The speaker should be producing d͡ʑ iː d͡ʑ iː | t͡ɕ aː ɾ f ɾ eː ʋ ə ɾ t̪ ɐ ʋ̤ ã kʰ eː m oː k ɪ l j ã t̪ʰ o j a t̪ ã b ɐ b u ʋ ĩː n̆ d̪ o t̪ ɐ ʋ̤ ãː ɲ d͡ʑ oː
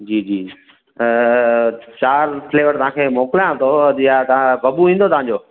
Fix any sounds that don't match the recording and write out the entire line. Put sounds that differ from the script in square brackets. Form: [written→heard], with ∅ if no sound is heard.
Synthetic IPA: d͡ʑ iː d͡ʑ iː | t͡ɕ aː ɾ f [ɾ→l] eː ʋ ə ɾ t̪ ɐ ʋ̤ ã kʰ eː m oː k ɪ l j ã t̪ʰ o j a t̪ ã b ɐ b u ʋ ĩː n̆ d̪ o t̪ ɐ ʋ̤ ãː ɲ d͡ʑ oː